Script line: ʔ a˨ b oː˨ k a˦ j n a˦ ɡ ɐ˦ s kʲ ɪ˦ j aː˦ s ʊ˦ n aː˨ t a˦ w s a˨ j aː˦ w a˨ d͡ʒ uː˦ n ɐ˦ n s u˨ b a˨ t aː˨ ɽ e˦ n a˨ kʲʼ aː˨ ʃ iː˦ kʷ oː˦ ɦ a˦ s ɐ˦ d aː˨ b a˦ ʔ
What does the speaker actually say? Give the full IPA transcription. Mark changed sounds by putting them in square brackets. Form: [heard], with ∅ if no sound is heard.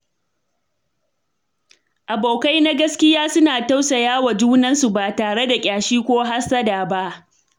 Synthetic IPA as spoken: ʔ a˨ b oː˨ k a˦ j n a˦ ɡ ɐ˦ s kʲ ɪ˦ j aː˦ s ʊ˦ n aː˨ t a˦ w s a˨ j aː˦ w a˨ d͡ʒ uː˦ n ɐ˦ n s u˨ b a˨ t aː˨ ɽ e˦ [d] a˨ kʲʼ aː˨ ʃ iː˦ kʷ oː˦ ɦ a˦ s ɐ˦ d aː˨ b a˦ ʔ